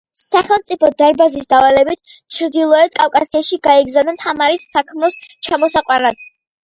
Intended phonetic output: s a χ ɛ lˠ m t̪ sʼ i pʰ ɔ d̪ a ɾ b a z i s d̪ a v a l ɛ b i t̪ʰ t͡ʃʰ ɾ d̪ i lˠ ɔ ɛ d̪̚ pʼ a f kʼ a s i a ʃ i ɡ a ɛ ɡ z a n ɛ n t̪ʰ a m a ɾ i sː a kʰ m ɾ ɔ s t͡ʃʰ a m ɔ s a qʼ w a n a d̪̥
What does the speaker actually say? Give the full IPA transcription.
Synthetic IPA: s a χ ɛ lˠ m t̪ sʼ i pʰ ɔ d̪ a ɾ b a z i s d̪ a v a l ɛ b i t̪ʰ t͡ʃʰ ɾ d̪ i lˠ ɔ ɛ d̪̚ kʼ a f kʼ a s i a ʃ i ɡ a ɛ ɡ z a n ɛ n t̪ʰ a m a ɾ i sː a kʰ m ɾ ɔ s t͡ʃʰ a m ɔ s a qʼ w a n a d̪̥